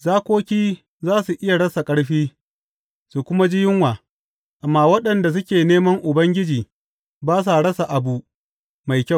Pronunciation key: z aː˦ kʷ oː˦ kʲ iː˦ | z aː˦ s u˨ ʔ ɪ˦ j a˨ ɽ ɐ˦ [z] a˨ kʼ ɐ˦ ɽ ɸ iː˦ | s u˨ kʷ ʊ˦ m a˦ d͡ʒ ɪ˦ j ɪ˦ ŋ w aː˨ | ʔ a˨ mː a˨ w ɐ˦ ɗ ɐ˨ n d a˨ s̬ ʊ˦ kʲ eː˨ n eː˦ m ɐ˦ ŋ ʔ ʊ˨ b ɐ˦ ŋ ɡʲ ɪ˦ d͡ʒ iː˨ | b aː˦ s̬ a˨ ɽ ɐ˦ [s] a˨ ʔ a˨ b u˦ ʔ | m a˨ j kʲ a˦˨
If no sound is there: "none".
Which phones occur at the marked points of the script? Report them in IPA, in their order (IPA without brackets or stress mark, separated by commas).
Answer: s, s